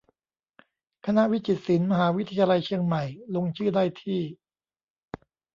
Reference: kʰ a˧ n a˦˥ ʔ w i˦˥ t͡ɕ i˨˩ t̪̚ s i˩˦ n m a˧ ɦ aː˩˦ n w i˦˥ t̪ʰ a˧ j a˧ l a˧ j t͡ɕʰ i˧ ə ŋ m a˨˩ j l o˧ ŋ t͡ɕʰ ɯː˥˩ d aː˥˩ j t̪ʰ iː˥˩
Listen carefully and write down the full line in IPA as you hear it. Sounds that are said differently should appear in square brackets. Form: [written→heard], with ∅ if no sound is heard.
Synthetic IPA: kʰ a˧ n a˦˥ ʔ w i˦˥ t͡ɕ i˨˩ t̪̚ s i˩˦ n m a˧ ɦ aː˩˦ [n→∅] w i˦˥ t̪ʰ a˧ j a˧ l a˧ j t͡ɕʰ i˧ ə ŋ m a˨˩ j l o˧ ŋ t͡ɕʰ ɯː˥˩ d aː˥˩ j t̪ʰ iː˥˩